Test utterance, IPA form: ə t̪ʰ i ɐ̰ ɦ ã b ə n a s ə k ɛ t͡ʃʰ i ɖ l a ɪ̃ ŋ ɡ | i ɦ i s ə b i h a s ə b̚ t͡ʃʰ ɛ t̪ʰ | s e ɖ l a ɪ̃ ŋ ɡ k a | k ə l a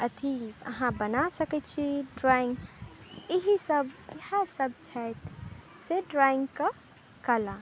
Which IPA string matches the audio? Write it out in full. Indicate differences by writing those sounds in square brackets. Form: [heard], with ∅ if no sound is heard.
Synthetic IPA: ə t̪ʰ i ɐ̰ ɦ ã b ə n a s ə k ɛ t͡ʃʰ i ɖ [ɾ] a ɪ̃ ŋ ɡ | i ɦ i s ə b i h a s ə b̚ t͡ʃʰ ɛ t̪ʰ | s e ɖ [ɾ] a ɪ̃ ŋ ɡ k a | k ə l a